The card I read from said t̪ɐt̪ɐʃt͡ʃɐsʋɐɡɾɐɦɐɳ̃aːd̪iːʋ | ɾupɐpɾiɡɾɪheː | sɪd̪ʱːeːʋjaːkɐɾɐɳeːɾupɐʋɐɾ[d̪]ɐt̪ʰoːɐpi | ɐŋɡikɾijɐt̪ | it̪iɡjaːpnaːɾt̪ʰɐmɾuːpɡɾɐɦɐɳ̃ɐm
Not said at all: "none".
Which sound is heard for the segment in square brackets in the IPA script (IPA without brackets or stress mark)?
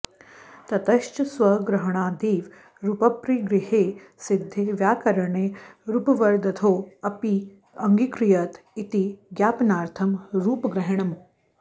d̪